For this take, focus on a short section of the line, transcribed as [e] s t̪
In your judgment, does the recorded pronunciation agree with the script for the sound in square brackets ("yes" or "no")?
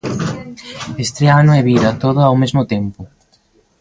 yes